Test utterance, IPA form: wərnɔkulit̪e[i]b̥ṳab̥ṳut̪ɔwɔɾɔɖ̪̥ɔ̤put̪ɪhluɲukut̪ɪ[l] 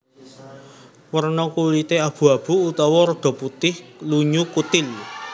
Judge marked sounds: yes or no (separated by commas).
no, yes